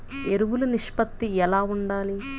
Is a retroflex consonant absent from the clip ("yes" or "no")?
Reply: no